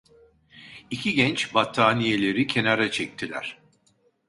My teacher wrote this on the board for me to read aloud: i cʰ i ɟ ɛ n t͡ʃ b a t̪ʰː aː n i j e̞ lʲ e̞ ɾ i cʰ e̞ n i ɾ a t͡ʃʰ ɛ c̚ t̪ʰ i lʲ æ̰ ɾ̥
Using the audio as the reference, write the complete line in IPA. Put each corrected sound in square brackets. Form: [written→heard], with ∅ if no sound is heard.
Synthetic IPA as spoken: i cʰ i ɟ ɛ n t͡ʃ b a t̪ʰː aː n i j e̞ lʲ e̞ ɾ i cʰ e̞ n [i→a] ɾ a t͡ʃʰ ɛ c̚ t̪ʰ i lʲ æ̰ ɾ̥